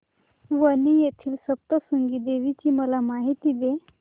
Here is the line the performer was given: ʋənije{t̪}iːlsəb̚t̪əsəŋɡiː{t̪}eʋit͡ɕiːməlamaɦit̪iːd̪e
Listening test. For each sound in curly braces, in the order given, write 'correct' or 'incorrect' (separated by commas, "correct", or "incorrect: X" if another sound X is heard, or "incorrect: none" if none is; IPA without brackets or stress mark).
incorrect: t̪ʰ, incorrect: d̪